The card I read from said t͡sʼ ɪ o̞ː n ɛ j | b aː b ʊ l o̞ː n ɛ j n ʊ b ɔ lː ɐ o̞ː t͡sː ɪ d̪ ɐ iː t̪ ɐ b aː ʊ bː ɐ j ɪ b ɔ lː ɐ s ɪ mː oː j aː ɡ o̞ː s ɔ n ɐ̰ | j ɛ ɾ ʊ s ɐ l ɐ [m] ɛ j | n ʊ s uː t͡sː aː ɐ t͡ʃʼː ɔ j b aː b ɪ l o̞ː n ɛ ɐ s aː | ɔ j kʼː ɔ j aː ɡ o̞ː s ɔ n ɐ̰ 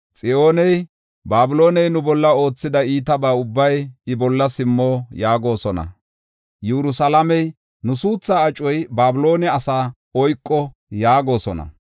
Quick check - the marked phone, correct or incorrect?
correct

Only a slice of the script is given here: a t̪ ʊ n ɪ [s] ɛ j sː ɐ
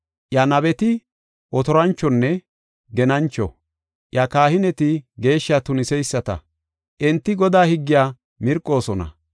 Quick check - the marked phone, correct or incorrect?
correct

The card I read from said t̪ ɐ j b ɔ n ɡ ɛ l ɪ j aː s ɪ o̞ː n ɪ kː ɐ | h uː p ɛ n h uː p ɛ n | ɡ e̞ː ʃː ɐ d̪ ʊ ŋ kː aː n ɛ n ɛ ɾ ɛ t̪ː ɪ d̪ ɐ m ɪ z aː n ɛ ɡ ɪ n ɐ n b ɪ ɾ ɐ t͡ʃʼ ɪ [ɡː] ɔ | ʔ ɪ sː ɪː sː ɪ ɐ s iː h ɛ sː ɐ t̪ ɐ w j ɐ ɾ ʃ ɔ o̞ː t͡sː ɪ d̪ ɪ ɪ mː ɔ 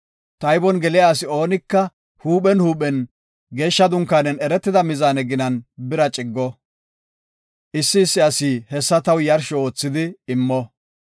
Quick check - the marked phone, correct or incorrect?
correct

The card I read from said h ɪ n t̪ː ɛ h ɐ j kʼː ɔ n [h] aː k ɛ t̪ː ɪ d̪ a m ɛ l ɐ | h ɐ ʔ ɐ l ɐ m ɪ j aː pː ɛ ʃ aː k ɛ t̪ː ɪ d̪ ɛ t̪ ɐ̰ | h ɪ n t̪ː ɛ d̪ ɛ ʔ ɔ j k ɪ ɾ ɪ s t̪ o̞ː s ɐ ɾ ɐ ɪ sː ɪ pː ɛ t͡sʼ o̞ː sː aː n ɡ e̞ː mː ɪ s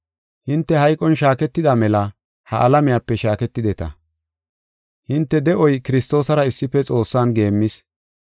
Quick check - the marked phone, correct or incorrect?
incorrect: ʃ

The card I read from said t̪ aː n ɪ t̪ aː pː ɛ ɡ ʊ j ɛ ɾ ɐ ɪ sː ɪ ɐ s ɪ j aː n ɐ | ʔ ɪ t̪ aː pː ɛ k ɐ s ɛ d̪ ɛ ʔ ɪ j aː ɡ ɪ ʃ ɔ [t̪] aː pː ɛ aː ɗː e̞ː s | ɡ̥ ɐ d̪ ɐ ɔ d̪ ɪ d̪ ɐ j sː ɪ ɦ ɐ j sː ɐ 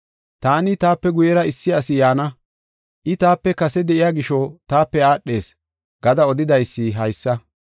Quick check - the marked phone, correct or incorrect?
correct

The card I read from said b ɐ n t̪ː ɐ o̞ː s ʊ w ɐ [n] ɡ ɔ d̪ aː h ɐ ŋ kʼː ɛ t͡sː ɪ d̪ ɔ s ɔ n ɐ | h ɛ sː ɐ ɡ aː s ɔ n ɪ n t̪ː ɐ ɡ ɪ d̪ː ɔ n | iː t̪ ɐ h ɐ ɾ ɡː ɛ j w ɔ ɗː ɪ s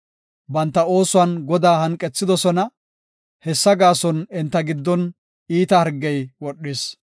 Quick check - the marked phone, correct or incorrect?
correct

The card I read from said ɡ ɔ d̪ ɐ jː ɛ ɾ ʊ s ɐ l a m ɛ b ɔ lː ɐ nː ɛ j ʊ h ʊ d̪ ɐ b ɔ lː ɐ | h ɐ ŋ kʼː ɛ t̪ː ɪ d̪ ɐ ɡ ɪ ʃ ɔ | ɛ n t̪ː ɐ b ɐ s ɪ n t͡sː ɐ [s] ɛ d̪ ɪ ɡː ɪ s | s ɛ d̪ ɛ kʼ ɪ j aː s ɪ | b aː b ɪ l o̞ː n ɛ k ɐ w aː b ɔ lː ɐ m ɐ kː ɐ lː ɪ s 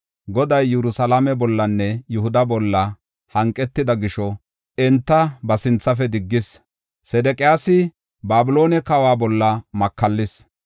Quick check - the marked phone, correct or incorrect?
incorrect: f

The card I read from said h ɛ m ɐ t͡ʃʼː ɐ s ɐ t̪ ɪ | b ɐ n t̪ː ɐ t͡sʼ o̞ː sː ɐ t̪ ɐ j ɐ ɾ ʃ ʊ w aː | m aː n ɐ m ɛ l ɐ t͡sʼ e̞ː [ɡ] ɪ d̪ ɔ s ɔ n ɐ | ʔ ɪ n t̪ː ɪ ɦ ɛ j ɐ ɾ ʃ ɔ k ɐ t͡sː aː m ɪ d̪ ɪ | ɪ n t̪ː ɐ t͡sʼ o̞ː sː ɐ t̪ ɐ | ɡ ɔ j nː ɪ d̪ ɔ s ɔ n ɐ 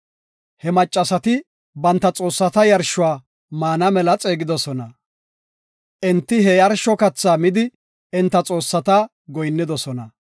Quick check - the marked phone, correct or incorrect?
correct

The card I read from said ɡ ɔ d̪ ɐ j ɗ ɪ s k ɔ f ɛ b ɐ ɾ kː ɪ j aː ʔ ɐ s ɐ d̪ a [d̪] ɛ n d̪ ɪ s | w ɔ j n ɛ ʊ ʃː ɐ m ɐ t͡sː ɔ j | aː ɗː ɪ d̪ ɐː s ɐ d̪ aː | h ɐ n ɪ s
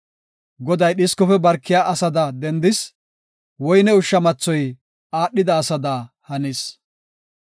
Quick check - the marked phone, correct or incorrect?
correct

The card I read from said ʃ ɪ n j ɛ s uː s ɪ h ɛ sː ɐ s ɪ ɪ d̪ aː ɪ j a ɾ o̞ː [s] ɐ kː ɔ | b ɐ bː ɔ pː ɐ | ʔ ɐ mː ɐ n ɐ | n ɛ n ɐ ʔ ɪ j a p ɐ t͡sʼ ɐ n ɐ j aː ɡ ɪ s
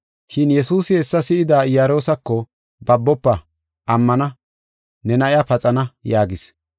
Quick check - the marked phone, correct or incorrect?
correct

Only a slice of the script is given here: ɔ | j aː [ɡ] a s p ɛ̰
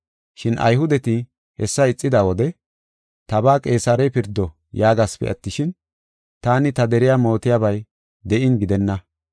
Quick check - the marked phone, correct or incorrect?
correct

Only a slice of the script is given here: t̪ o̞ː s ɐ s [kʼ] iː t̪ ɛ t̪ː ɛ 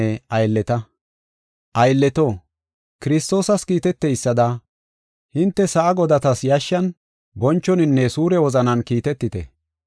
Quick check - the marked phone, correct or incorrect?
incorrect: k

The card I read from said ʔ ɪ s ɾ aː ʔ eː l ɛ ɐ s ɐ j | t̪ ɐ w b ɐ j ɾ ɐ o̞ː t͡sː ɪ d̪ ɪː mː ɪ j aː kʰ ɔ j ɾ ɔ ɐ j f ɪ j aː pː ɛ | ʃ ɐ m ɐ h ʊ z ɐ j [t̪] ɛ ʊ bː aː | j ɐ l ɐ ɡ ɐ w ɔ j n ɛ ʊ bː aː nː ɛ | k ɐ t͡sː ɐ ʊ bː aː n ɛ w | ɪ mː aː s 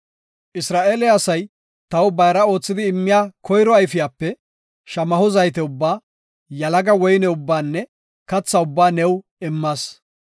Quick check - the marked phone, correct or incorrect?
correct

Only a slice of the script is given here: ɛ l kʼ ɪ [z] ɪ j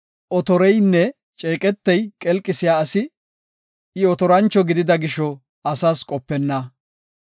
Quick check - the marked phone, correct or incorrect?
incorrect: s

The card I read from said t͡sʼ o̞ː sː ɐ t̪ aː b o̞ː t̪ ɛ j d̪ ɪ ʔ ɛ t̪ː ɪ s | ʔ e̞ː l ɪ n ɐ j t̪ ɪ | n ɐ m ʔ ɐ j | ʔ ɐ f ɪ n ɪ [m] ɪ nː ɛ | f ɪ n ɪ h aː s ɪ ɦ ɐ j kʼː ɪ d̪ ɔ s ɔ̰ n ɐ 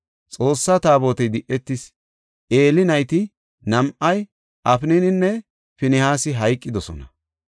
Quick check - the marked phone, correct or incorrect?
incorrect: n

